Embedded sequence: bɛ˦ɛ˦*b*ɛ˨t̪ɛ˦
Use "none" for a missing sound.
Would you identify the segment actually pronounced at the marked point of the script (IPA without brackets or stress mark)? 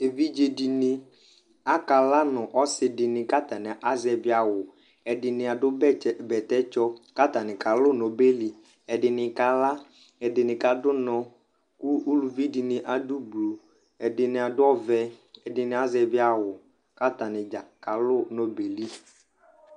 b